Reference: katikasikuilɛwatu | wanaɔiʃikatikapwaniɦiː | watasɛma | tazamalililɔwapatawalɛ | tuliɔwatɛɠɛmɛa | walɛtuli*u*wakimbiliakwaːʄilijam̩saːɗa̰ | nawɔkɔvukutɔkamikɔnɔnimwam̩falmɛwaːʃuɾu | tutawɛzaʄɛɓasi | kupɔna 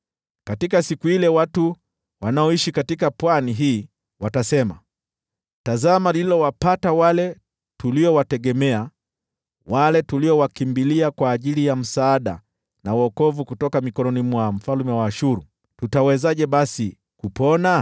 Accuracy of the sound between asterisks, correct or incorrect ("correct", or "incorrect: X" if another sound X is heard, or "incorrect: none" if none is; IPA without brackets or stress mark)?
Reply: incorrect: ɔ